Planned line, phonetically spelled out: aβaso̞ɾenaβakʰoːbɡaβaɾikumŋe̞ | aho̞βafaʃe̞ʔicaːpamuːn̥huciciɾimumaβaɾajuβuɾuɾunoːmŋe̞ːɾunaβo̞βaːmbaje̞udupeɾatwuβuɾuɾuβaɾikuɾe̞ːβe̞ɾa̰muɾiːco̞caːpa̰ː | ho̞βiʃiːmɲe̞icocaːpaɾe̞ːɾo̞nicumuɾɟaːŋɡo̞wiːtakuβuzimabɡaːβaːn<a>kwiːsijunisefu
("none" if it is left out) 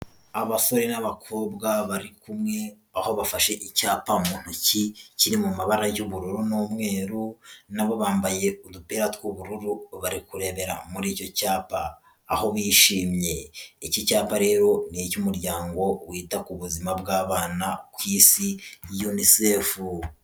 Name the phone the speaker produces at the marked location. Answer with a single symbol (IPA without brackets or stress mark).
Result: a